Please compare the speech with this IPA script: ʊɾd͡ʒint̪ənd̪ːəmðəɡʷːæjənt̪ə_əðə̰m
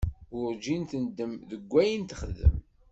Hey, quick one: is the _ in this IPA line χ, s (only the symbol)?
χ